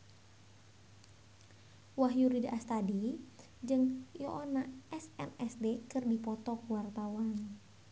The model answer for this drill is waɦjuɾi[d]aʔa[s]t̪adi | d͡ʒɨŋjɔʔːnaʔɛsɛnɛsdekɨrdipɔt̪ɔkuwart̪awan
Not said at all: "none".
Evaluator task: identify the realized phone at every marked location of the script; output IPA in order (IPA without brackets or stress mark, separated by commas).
d, s